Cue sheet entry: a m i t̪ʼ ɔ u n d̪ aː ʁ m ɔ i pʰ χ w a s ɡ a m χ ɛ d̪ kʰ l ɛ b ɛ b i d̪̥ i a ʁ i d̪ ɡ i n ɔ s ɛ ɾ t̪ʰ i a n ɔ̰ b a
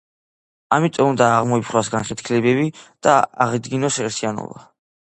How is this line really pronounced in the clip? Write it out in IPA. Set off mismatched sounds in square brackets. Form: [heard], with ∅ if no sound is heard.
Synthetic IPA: a m i t̪ʼ ɔ u n d̪ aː ʁ m ɔ i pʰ χ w a s ɡ a [n] χ ɛ [t̪] kʰ l ɛ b ɛ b i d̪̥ [a] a ʁ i d̪ ɡ i n ɔ s ɛ ɾ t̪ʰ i a n ɔ̰ b a